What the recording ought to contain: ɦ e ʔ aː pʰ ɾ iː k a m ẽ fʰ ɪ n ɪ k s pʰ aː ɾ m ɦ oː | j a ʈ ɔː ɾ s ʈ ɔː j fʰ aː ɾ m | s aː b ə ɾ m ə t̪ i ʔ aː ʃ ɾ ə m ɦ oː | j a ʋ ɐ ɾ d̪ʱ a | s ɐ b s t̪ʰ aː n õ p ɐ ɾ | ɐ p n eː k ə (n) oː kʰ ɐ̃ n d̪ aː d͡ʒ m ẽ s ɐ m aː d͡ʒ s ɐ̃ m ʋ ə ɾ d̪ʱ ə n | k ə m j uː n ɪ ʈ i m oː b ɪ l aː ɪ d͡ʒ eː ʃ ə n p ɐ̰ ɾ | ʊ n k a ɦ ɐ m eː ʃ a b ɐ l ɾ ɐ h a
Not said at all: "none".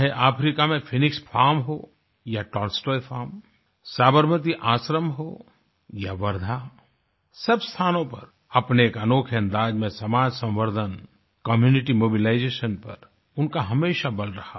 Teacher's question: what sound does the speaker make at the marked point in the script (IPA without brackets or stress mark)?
n